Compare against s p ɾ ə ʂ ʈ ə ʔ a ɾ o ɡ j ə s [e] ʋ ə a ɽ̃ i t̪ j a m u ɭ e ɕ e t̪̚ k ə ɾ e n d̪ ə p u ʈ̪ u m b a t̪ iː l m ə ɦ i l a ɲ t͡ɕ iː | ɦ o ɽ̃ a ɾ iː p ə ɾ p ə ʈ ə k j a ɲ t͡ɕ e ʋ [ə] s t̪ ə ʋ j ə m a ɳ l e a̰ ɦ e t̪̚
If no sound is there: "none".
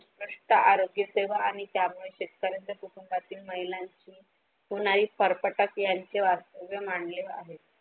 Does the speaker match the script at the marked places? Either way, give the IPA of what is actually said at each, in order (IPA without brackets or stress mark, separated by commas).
e, a